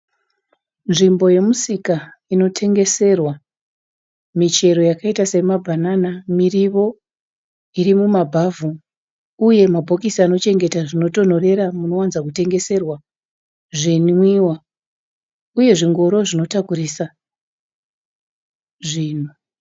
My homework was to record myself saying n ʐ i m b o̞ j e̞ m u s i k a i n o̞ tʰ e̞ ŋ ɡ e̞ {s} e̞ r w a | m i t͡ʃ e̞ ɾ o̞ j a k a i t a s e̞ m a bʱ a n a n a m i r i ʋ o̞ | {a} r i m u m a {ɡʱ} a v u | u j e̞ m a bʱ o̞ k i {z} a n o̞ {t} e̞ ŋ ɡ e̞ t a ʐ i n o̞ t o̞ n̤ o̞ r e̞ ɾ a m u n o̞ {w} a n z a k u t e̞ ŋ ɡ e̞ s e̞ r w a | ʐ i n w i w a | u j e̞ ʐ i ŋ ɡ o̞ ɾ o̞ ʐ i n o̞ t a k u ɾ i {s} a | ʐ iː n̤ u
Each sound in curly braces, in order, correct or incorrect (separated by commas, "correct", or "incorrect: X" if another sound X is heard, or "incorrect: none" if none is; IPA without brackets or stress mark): correct, incorrect: i, incorrect: bʱ, incorrect: s, incorrect: t͡ʃ, correct, correct